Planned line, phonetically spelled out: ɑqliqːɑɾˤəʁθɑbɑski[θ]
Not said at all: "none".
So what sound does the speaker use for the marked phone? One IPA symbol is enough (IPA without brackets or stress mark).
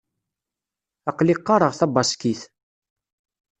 θ